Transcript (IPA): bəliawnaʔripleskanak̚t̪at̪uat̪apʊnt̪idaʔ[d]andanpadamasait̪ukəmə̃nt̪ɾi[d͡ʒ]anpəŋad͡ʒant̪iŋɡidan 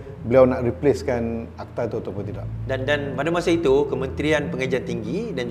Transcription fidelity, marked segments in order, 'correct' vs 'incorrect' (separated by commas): correct, incorrect